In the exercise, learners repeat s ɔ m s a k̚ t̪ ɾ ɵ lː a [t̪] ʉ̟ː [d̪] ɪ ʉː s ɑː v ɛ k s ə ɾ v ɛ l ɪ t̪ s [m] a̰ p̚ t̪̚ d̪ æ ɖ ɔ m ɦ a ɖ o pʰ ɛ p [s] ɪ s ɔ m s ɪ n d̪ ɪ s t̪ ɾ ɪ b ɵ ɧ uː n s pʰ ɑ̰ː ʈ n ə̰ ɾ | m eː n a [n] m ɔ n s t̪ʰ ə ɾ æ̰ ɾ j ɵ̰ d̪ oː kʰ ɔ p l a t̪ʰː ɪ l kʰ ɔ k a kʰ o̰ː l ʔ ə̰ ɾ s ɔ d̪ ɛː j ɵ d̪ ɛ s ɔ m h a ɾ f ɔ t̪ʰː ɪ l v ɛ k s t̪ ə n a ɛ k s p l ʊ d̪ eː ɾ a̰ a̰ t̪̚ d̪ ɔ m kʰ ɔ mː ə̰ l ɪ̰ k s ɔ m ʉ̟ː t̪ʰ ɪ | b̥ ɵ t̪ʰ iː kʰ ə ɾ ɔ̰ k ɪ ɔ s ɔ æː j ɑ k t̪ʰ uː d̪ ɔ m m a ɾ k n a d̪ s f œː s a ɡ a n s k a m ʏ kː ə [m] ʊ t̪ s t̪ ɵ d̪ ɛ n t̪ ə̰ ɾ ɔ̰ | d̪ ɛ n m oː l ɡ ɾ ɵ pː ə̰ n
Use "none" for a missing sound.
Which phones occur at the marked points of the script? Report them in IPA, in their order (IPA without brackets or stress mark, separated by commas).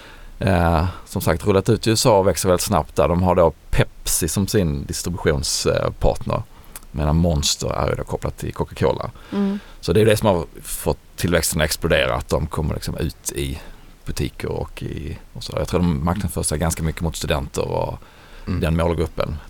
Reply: t̪, t̪, n, s, n, m